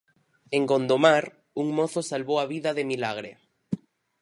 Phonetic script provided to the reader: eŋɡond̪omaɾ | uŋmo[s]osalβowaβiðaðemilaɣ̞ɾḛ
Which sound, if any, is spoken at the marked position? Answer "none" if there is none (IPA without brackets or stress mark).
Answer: θ